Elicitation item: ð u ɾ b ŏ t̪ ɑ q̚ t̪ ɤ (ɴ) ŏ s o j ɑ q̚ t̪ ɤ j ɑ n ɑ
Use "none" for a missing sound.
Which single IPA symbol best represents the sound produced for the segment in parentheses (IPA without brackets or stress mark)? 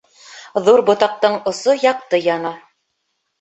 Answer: ɴ